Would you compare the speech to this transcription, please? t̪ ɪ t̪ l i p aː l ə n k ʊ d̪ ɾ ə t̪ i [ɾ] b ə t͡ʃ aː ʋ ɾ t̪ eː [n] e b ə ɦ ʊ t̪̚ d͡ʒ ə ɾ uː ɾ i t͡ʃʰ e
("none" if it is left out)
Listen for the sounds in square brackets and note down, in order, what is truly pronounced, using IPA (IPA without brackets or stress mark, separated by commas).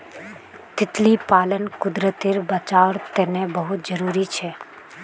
ɾ, n